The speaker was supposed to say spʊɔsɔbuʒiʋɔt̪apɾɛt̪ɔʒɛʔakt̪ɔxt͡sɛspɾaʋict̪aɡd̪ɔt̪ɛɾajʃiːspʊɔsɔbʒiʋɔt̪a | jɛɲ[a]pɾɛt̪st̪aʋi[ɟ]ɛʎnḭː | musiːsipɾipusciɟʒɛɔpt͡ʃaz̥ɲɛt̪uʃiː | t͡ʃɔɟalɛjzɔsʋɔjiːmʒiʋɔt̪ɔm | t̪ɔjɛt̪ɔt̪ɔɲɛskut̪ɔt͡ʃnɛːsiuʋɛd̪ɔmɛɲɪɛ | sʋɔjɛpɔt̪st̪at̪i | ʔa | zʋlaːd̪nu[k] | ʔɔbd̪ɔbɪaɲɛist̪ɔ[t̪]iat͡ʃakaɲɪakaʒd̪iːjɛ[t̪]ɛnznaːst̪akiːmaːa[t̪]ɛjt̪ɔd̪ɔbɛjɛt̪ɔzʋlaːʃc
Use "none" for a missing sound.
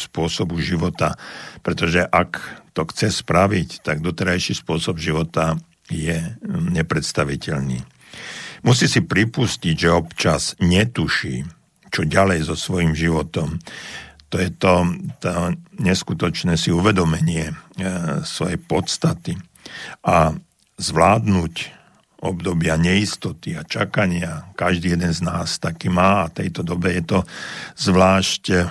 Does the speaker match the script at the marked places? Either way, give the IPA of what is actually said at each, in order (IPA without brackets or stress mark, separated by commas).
ɛ, c, c, t̪, d̪, t̪